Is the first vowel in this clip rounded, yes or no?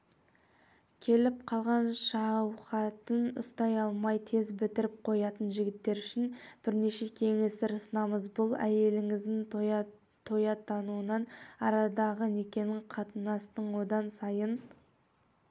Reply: no